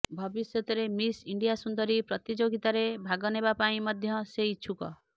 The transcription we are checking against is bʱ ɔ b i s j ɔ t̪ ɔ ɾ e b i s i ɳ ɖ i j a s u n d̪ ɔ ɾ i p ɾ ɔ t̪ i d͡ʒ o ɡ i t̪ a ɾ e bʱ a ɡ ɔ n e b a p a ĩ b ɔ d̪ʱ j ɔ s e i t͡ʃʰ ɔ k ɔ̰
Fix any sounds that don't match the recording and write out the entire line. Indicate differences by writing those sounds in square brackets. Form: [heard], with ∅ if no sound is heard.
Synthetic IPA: bʱ ɔ b i s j ɔ t̪ ɔ ɾ e [m] i s i ɳ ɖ i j a s u n d̪ ɔ ɾ i p ɾ ɔ t̪ i d͡ʒ o ɡ i t̪ a ɾ e bʱ a ɡ ɔ n e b a p a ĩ [m] ɔ d̪ʱ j ɔ s e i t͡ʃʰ [u] k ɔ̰